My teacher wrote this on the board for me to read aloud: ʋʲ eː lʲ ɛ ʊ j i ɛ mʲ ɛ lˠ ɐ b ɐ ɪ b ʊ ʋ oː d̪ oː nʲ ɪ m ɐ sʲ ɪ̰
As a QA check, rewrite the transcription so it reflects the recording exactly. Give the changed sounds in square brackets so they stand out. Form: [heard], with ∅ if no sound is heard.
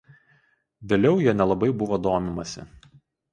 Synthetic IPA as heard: ʋʲ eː lʲ ɛ ʊ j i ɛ [nʲ] ɛ lˠ ɐ b ɐ ɪ b ʊ ʋ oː d̪ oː [mʲ] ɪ m ɐ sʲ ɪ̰